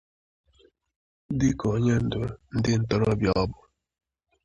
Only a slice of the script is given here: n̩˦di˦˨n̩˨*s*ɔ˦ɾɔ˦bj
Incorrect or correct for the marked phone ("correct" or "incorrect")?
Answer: incorrect